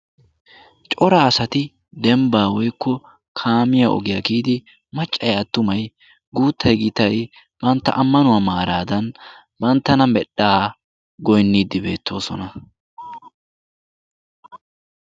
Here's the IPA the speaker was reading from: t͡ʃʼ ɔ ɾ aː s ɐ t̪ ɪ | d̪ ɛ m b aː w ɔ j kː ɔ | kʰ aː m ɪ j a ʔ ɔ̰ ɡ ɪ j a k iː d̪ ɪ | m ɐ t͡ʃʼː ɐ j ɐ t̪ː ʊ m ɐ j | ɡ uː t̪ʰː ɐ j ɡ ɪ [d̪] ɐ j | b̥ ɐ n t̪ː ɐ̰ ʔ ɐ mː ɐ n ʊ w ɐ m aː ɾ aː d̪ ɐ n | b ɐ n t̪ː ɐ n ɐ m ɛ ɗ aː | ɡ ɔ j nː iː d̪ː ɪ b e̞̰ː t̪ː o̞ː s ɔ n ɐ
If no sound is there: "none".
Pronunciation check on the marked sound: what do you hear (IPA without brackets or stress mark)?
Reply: t̪